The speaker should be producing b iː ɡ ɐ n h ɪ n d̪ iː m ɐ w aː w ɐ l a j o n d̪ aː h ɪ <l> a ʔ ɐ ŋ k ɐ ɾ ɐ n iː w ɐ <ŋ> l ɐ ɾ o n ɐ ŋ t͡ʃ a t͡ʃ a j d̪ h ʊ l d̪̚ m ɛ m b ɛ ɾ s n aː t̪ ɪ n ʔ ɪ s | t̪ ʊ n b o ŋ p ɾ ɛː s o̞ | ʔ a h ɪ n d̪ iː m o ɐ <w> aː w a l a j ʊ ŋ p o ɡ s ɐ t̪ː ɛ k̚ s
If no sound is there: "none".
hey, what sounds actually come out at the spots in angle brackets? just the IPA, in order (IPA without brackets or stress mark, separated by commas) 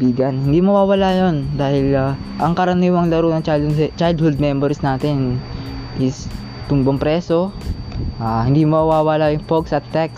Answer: l, ŋ, w